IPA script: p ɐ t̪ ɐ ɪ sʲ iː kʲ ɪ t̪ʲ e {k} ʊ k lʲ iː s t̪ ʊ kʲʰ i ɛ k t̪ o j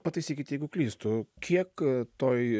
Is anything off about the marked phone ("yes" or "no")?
yes